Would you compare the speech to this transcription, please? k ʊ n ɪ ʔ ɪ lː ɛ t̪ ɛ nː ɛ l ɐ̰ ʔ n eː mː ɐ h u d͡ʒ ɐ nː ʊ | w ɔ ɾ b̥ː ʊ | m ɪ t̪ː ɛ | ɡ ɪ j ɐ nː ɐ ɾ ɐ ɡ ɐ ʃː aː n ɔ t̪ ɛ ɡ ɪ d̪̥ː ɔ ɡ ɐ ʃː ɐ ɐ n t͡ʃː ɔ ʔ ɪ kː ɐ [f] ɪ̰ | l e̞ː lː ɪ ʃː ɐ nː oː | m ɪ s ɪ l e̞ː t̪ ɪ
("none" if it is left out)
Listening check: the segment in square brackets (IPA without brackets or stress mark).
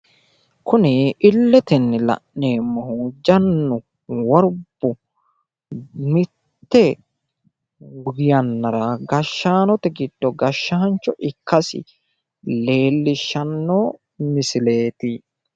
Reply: s